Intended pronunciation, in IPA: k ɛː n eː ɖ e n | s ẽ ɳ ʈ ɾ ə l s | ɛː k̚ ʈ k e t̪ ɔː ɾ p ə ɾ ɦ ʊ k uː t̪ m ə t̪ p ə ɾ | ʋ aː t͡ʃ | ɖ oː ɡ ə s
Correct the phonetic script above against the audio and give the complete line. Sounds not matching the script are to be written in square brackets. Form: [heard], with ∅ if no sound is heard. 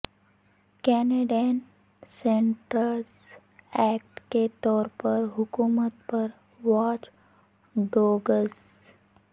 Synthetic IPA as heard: k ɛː n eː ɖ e n | s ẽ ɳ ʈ ɾ ə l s | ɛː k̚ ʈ k e t̪ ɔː ɾ p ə ɾ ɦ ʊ k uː [∅] m ə t̪ p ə ɾ | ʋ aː t͡ʃ | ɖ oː ɡ ə s